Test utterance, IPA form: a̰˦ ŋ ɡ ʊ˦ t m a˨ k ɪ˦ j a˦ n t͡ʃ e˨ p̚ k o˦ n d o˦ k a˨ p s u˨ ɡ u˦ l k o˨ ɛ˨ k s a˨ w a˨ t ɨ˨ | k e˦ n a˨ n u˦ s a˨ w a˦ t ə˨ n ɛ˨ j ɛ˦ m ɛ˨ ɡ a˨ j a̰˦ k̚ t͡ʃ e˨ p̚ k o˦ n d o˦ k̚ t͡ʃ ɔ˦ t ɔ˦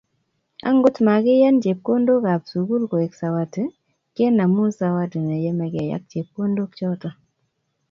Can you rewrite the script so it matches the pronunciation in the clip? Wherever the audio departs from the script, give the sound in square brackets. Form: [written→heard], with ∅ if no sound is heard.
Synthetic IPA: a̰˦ ŋ ɡ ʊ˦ t m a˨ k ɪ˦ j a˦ n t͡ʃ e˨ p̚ k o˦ n d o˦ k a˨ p s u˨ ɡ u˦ l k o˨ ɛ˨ k s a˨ w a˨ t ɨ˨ | k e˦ n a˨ [n→m] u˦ s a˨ w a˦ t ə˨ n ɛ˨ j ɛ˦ m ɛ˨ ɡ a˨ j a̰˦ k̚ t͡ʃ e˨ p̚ k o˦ n d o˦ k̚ t͡ʃ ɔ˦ t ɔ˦